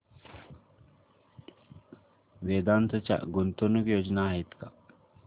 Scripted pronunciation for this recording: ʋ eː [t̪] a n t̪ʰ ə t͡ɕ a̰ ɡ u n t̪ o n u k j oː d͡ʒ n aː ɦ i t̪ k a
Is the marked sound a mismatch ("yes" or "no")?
yes